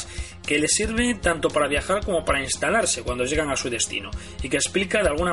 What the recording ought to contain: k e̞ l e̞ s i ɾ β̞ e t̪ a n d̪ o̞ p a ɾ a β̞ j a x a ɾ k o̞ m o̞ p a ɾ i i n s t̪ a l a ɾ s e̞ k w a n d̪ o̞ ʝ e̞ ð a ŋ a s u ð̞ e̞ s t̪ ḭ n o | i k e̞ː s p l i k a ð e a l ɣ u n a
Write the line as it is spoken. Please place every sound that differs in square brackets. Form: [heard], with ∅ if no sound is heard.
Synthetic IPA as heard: k e̞ l e̞ s i ɾ β̞ e t̪ a n [t̪] o̞ p a ɾ a β̞ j a x a ɾ k o̞ m o̞ p a ɾ [a] i n s t̪ a l a ɾ s e̞ k w a n d̪ o̞ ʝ e̞ [ɣ] a ŋ a s u ð̞ e̞ s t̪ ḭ n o | i k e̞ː s p l i k a ð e a l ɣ u n a